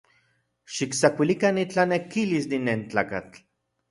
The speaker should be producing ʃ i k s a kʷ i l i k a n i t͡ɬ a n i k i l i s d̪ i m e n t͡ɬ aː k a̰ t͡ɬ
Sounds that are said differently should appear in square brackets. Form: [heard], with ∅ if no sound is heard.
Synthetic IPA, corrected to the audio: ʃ i k s a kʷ i l i k a n i t͡ɬ a n [e] k i l i s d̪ i [n] e n t͡ɬ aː k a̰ t͡ɬ